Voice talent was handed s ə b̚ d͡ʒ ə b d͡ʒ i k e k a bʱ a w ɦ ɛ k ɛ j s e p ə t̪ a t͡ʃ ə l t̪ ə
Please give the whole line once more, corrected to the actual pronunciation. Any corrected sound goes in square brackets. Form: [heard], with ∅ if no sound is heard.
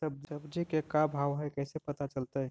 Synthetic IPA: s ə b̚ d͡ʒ ə b d͡ʒ i k e k a bʱ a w ɦ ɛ k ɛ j s e p ə t̪ a t͡ʃ ə l t̪ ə